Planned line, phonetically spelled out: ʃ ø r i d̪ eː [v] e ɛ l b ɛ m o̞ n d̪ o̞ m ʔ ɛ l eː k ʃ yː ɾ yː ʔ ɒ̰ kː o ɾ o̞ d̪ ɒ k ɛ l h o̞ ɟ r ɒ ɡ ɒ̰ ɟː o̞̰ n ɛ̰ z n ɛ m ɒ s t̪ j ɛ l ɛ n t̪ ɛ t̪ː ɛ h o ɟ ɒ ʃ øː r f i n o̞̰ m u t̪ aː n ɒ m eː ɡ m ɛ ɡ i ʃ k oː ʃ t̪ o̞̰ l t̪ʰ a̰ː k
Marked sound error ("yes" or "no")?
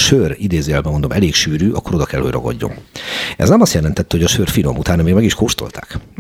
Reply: yes